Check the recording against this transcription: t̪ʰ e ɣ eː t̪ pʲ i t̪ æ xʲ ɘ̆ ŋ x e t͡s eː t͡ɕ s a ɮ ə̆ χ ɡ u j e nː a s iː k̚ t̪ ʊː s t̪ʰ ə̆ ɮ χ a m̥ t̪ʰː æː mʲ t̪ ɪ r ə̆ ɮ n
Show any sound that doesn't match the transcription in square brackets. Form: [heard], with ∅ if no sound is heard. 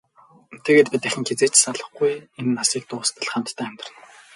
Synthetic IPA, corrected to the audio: t̪ʰ e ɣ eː t̪ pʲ i t̪ æ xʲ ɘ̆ ŋ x e t͡s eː t͡ɕ s a ɮ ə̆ χ ɡ u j e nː a s iː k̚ t̪ ʊː s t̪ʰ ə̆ ɮ χ a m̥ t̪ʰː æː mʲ t̪ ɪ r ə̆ [∅] n